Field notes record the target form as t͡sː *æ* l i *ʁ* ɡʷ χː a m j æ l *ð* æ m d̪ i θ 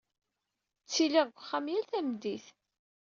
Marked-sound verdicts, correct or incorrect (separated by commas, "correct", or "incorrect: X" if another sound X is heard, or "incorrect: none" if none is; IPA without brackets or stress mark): incorrect: i, correct, incorrect: θ